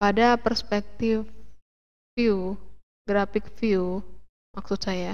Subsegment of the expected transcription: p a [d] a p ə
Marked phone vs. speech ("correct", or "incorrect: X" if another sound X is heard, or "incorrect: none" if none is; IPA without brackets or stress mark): correct